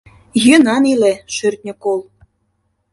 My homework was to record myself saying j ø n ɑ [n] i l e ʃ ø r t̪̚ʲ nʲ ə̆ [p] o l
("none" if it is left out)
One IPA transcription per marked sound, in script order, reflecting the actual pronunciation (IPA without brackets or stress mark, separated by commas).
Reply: n, k